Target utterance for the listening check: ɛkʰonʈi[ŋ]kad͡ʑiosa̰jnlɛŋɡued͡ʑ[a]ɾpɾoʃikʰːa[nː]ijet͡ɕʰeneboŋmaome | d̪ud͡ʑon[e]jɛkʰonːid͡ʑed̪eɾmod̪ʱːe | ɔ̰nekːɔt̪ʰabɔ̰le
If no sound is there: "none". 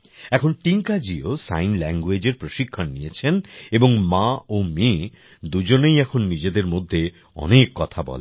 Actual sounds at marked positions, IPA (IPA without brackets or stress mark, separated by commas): ŋ, e, nː, e